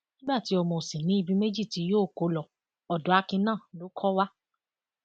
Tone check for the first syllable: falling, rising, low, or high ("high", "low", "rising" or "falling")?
high